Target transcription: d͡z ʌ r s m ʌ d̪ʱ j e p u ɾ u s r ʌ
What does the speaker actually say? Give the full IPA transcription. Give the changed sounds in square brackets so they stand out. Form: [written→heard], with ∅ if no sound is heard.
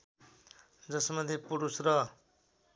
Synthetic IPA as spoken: d͡z ʌ [r→∅] s m ʌ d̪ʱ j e p u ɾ u s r ʌ